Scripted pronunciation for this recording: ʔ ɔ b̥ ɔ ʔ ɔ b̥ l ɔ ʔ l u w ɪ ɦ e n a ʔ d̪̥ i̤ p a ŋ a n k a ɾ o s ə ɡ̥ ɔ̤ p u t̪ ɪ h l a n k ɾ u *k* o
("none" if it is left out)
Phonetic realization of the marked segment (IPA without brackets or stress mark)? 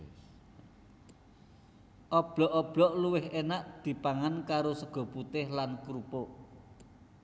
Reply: p